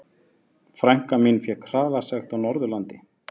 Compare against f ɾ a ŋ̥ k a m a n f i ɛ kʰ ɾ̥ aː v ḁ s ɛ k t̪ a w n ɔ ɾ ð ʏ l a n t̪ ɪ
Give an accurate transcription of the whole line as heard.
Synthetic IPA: f ɾ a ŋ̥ k a m i n f j ɛ kʰ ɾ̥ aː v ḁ s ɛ x t̪ a w n ɔ ɾ ð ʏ l a n t̪ ɪ